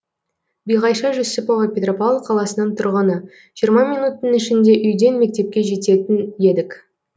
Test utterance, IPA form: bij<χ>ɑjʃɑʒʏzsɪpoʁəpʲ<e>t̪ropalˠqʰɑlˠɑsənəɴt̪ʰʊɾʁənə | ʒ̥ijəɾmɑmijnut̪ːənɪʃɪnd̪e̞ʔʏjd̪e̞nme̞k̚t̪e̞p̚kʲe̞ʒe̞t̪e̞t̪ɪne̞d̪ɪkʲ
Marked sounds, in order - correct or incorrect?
incorrect, correct

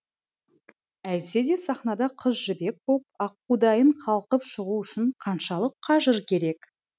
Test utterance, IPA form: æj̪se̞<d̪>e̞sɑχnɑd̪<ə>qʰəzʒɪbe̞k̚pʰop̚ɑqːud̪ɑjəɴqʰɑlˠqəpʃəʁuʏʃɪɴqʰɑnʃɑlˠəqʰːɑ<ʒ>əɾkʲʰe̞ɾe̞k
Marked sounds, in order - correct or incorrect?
correct, incorrect, correct

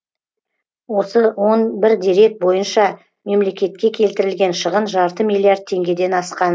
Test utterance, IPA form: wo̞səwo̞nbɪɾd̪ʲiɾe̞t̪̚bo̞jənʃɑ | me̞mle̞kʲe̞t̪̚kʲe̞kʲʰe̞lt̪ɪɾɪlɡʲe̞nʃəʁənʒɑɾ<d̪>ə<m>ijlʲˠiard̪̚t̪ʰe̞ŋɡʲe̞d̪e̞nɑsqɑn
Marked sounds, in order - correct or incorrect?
incorrect, correct

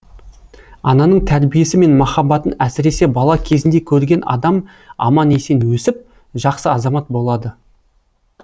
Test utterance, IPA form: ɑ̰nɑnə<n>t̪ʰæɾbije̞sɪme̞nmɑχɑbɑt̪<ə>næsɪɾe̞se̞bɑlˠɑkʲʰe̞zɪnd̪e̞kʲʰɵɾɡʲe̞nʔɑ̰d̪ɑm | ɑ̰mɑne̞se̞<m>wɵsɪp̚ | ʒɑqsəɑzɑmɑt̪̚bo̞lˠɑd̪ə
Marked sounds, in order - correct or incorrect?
incorrect, correct, incorrect

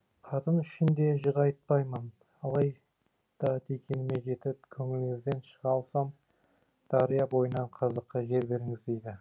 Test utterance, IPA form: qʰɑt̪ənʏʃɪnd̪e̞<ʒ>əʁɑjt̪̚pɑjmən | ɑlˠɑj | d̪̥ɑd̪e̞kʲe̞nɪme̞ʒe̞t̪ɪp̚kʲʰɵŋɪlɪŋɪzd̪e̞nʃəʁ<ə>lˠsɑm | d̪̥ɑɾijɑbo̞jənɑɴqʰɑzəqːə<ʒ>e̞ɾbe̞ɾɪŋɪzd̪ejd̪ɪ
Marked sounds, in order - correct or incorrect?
correct, incorrect, correct

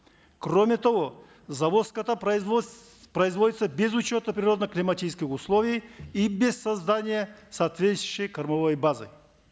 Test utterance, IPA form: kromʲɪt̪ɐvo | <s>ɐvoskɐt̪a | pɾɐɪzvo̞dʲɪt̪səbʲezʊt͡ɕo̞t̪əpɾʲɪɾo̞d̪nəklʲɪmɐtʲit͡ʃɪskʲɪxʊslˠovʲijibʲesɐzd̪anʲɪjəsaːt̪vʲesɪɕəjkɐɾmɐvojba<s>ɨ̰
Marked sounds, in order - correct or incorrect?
incorrect, incorrect

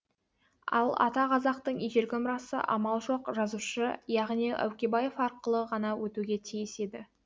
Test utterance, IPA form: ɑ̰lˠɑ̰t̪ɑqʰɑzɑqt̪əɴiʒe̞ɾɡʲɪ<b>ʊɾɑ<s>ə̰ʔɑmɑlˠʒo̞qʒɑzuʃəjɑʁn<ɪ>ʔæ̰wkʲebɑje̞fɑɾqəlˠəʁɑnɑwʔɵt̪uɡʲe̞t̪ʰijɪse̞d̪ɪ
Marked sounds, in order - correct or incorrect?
incorrect, correct, incorrect

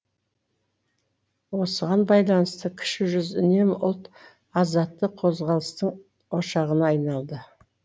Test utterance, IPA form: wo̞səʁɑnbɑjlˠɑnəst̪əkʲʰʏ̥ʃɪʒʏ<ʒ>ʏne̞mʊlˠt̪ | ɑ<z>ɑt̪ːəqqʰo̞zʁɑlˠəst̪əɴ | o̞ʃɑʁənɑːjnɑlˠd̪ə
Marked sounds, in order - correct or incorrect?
incorrect, correct

